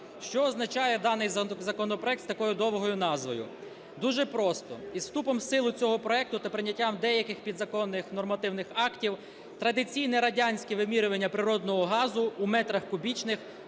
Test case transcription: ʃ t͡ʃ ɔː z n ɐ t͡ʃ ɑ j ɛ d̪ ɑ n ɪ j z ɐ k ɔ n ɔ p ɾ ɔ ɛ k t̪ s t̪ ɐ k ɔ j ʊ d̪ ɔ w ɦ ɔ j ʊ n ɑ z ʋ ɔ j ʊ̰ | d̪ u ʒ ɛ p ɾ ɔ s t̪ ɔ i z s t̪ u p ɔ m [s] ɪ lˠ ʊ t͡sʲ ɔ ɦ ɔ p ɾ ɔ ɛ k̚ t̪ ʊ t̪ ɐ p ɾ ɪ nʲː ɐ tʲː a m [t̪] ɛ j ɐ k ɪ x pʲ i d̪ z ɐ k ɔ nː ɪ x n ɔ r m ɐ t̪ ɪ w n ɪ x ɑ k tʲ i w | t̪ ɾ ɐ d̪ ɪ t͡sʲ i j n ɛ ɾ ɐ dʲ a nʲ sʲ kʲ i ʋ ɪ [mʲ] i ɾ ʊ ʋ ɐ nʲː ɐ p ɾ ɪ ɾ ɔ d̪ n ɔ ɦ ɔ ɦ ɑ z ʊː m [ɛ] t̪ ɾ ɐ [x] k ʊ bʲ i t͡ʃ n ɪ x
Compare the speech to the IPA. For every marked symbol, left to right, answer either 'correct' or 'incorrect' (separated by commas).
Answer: correct, incorrect, correct, correct, correct